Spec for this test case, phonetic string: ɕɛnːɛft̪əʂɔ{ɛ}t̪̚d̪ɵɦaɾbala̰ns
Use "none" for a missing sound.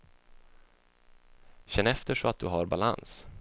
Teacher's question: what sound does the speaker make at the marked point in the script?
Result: a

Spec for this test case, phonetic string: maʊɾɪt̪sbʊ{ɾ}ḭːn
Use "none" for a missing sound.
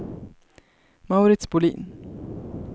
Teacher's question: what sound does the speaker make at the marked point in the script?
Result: l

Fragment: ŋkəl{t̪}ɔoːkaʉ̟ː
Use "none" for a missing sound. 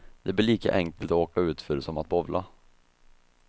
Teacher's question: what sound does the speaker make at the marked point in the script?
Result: t̪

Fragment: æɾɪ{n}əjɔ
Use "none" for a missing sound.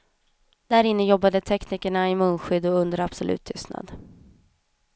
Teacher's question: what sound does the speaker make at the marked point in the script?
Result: nː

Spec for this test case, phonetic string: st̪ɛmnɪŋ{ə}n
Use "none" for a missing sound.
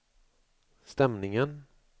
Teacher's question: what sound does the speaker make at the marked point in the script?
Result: ə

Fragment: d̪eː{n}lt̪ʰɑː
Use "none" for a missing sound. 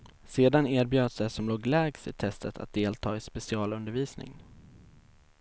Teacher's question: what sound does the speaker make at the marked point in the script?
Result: none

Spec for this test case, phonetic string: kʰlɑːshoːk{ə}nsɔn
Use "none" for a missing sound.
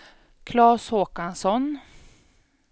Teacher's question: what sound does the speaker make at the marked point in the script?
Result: a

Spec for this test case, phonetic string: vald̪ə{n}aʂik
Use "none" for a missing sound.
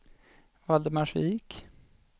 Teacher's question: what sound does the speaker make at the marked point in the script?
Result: m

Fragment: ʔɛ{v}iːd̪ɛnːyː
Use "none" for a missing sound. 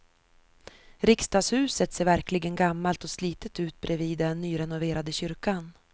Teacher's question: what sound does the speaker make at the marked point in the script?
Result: v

